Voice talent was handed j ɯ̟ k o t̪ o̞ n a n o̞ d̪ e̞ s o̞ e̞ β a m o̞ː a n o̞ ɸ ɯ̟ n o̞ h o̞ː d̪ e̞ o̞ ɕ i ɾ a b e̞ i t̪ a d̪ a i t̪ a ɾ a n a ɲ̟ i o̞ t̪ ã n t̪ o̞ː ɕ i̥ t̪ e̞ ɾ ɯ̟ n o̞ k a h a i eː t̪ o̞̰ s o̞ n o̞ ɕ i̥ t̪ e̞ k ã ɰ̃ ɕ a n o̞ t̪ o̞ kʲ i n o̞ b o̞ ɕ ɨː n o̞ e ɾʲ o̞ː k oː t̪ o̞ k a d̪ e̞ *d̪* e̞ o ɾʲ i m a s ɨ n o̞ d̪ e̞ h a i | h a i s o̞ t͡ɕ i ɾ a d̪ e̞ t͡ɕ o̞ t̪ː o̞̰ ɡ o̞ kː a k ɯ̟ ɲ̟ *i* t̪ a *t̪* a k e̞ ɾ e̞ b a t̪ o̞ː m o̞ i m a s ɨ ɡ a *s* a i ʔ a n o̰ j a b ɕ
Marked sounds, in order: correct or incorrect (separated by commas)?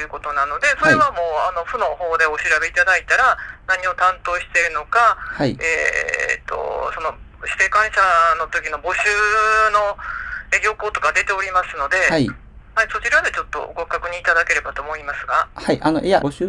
incorrect, incorrect, incorrect, incorrect